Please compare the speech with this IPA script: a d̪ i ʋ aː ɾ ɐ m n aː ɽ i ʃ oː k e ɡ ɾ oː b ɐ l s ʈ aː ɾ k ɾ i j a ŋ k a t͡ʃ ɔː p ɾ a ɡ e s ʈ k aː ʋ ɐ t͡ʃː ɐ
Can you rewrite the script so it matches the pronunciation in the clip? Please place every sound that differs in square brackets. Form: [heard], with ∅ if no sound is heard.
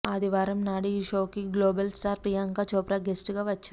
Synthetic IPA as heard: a d̪ i ʋ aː ɾ ɐ m n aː ɽ i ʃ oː k [i] ɡ [l] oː b ɐ l s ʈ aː ɾ [p] ɾ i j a ŋ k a t͡ʃ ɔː p ɾ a ɡ e s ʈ [ɡ] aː ʋ ɐ t͡ʃː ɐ